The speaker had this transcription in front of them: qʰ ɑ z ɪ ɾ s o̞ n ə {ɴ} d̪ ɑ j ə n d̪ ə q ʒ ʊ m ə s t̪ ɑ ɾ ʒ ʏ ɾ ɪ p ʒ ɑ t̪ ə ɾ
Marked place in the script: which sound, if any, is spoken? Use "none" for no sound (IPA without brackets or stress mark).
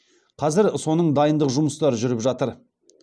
ɴ